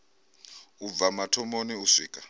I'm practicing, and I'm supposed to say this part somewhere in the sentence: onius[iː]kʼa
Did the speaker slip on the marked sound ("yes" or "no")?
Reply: no